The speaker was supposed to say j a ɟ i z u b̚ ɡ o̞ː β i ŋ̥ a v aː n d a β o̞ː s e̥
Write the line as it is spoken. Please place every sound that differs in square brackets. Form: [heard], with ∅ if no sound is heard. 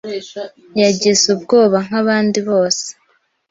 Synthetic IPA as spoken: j a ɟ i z u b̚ ɡ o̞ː β [a] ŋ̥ a [β] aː n d [i] β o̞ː s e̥